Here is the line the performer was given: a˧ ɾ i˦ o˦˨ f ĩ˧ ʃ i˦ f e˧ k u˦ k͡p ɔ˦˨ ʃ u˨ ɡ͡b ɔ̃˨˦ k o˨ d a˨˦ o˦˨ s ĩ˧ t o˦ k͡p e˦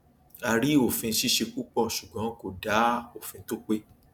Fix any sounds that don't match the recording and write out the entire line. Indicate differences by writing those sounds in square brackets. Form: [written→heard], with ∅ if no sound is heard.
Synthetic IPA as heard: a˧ ɾ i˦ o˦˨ f ĩ˧ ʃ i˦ [f→ʃ] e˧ k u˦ k͡p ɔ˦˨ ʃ u˨ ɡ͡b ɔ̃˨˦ k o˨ d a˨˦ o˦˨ [s→f] ĩ˧ t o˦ k͡p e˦